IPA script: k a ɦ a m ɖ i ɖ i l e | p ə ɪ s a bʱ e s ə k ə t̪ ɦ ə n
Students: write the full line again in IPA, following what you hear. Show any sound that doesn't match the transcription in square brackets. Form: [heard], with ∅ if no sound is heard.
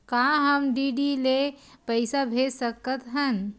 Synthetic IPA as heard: k a ɦ [ə] m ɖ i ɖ i l e | p ə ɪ s a bʱ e s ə k ə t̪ ɦ ə n